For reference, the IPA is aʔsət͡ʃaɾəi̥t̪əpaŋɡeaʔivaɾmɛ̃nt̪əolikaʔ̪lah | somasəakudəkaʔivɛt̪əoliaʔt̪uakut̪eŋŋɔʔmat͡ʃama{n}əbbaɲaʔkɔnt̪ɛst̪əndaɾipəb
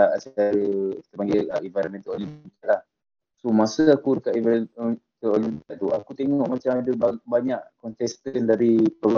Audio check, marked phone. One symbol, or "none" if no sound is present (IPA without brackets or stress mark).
d